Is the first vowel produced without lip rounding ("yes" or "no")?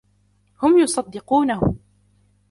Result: no